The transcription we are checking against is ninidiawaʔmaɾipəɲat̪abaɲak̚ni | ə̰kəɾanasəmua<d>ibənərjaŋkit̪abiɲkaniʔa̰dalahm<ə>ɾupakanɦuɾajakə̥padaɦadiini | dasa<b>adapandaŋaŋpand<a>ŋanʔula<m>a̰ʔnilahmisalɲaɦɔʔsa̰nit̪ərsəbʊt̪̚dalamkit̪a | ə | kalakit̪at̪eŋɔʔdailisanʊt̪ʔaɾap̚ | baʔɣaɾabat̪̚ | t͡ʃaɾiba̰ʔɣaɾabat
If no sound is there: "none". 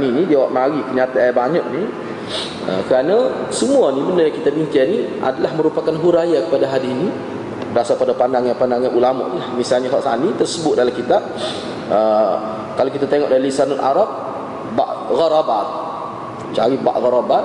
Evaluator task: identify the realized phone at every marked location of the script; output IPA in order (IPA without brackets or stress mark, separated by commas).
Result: n, ə, p, a, m